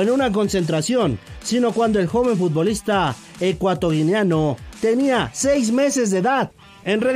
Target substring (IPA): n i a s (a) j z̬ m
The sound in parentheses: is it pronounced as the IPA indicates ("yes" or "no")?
no